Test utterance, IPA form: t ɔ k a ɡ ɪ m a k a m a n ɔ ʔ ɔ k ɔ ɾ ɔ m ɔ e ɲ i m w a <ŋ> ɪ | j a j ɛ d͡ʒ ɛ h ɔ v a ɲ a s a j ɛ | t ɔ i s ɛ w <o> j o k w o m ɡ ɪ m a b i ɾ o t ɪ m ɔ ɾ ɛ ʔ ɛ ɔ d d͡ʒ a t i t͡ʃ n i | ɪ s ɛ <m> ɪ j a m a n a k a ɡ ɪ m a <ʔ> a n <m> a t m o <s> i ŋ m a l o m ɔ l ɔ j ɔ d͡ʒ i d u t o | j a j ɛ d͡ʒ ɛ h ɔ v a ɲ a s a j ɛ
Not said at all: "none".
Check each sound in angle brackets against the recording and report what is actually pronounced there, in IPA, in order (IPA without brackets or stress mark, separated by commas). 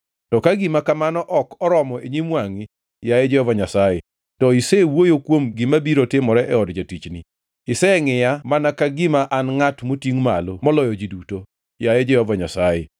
ŋ, o, ŋ, ʔ, ŋ, t